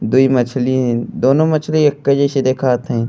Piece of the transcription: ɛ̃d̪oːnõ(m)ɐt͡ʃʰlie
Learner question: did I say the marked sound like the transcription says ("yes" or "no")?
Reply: yes